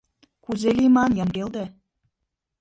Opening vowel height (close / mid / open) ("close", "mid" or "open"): close